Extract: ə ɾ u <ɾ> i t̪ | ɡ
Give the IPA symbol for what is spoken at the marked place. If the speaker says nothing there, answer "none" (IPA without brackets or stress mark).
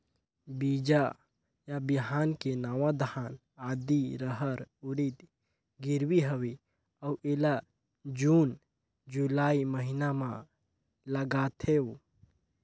ɾ